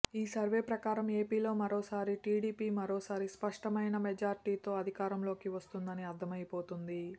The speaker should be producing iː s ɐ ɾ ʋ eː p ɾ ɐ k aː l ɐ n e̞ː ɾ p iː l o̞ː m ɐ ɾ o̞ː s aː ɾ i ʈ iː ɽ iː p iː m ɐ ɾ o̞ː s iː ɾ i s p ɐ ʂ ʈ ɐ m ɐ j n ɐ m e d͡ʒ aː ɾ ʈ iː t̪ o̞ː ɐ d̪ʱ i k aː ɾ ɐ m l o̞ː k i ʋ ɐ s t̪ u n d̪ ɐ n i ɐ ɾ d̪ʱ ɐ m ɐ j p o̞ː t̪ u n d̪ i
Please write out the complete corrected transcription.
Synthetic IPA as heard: iː s ɐ ɾ ʋ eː p ɾ ɐ k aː ɾ ɐ m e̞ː p iː l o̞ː m ɐ ɾ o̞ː s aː ɾ i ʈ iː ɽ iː p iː m ɐ ɾ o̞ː s aː ɾ i s p ɐ ʂ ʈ ɐ m ɐ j n ɐ m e d͡ʒ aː ɾ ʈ iː t̪ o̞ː ɐ d̪ʱ i k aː ɾ ɐ m l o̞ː k i ʋ ɐ s t̪ u n d̪ ɐ n i ɐ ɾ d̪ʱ ɐ m ɐ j p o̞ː t̪ u n d̪ i

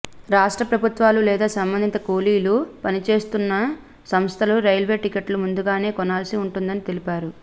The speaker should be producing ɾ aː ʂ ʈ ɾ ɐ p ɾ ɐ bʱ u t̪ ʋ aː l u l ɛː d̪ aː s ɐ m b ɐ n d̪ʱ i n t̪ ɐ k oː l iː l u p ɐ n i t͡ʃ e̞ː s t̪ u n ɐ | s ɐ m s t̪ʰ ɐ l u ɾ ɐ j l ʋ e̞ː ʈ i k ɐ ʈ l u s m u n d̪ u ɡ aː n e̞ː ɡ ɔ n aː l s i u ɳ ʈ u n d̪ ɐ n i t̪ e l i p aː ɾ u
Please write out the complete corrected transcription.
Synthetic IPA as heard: ɾ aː ʂ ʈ ɾ ɐ p ɾ ɐ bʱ u t̪ ʋ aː l u l ɛː d̪ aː s ɐ m b ɐ n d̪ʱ i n t̪ ɐ k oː l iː l u p ɐ n i t͡ʃ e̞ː s t̪ u nː ɐ | s ɐ m s t̪ʰ ɐ l u ɾ ɐ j l ʋ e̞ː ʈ i k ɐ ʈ l u m u n d̪ u ɡ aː n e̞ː k ɔ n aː l s i u ɳ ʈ u n d̪ ɐ n i t̪ e l i p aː ɾ u

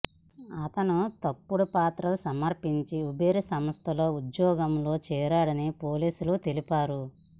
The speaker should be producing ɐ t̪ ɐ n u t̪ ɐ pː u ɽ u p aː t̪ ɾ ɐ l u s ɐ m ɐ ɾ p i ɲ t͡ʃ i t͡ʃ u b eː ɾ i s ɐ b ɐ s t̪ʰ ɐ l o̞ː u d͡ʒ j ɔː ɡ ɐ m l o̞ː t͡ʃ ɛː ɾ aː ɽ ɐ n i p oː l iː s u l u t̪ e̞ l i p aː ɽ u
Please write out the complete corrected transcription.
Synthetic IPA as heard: ɐ t̪ ɐ n u t̪ ɐ pː u ɽ u p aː t̪ ɾ ɐ l u s ɐ m ɐ ɾ p i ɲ t͡ʃ i u b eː ɾ i s ɐ m ɐ s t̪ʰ ɐ l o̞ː u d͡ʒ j ɔː ɡ ɐ m l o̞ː t͡ʃ ɛː ɾ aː ɽ ɐ n i p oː l iː s u l u t̪ e̞ l i p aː ɾ u

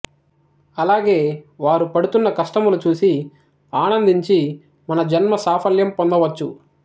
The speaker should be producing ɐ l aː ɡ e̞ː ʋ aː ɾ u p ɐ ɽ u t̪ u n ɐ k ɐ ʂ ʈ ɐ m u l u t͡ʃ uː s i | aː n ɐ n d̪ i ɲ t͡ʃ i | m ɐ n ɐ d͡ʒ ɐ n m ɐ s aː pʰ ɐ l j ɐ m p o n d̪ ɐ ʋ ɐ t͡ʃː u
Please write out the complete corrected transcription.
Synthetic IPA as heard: ɐ l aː ɡ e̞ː ʋ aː ɾ u p ɐ ɽ u t̪ u nː ɐ k ɐ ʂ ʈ ɐ m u l u t͡ʃ uː s i | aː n ɐ n d̪ i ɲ t͡ʃ i | m ɐ n ɐ d͡ʒ ɐ n m ɐ s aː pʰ ɐ l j ɐ m p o n d̪ ɐ ʋ ɐ t͡ʃː u

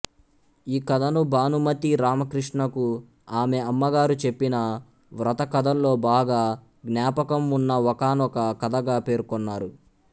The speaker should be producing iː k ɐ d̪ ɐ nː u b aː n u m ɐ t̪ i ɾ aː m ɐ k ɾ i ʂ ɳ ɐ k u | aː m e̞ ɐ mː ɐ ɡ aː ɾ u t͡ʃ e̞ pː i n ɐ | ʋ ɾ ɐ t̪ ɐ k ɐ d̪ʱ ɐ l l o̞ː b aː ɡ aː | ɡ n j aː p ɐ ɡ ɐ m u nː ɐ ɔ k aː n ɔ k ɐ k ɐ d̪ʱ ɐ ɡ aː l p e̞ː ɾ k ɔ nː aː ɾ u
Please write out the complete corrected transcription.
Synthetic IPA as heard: iː k ɐ d̪ ɐ n u b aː n u m ɐ t̪ i ɾ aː m ɐ k ɾ i ʂ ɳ ɐ k u | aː m e̞ ɐ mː ɐ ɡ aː ɾ u t͡ʃ e̞ pː i n ɐ | ʋ ɾ ɐ t̪ ɐ k ɐ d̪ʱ ɐ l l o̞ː b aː ɡ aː | ɡ n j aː p ɐ k ɐ m u nː ɐ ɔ k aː n ɔ k ɐ k ɐ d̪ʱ ɐ ɡ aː p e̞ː ɾ k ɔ nː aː ɾ u

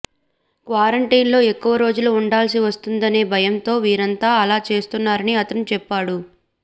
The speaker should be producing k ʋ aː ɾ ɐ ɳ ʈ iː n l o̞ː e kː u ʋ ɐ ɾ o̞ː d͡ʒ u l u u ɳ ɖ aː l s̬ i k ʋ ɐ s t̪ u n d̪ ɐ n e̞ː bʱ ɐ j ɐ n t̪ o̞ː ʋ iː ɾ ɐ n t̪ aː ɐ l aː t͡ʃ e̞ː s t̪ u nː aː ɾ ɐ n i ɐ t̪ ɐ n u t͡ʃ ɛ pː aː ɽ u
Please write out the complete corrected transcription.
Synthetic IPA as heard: k ʋ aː ɾ ɐ ɳ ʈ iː n l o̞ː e kː u ʋ ɐ ɾ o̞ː d͡ʒ u l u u ɳ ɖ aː l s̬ i ʋ ɐ s t̪ u n d̪ ɐ n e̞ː bʱ ɐ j ɐ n t̪ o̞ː ʋ iː ɾ ɐ n t̪ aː ɐ l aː t͡ʃ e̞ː s t̪ u nː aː ɾ ɐ n i ɐ t̪ ɐ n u t͡ʃ ɛ pː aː ɽ u

